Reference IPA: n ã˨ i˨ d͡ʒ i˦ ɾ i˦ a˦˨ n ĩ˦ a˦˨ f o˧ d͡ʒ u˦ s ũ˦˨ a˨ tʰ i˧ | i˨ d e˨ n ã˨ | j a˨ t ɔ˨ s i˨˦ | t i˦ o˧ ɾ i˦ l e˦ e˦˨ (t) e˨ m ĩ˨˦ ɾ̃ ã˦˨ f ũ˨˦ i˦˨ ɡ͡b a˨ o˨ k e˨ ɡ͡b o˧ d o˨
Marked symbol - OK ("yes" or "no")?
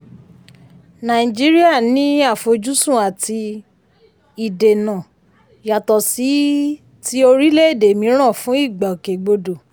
no